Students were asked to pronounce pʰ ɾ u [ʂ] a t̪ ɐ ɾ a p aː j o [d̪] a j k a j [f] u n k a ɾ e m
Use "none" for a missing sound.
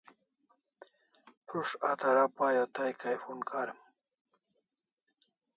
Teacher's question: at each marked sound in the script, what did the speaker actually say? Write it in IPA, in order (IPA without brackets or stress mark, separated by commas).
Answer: ʂ, t̪, f